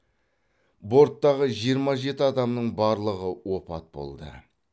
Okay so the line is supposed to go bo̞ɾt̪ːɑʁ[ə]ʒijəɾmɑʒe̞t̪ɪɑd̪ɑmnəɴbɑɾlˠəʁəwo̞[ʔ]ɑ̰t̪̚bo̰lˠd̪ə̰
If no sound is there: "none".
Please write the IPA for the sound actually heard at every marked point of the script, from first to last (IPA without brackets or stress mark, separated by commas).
ə, p